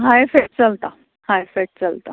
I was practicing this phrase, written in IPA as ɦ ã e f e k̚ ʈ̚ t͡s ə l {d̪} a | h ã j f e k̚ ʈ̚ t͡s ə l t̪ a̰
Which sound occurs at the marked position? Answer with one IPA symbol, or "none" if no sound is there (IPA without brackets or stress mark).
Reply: t̪